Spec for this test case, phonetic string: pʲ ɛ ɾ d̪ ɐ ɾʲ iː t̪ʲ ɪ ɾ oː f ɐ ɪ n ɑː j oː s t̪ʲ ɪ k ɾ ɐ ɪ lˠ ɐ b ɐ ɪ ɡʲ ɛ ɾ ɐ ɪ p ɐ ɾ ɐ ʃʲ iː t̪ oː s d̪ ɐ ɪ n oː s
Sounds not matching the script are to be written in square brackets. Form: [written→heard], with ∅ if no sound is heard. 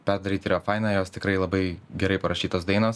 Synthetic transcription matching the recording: pʲ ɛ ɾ d̪ ɐ ɾʲ iː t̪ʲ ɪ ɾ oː f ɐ ɪ n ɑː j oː s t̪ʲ ɪ k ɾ ɐ ɪ lˠ ɐ b ɐ ɪ ɡʲ ɛ ɾ ɐ ɪ p ɐ ɾ ɐ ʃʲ iː t̪ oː s d̪ ɐ ɪ n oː s